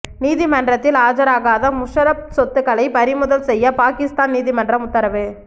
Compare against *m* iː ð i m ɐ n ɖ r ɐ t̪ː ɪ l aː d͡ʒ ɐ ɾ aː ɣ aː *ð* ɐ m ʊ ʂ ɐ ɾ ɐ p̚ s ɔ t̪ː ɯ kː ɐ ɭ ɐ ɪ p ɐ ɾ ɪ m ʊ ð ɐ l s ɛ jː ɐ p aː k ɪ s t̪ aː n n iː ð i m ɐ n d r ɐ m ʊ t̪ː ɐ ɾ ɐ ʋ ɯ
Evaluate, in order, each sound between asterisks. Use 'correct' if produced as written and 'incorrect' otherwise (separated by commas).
incorrect, correct